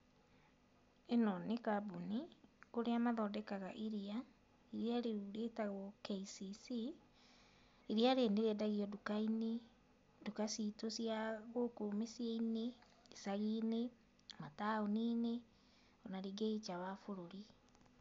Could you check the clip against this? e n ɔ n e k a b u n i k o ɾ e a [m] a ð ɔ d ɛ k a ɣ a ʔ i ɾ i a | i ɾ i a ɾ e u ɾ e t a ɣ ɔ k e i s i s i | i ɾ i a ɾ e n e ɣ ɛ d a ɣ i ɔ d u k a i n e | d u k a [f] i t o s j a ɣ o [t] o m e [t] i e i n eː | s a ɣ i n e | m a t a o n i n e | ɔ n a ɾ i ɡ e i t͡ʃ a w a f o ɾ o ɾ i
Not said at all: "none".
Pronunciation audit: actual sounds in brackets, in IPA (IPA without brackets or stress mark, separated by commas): m, s, k, s